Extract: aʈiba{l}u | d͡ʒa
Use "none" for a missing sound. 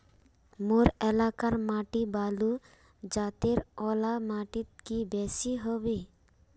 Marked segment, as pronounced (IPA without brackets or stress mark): l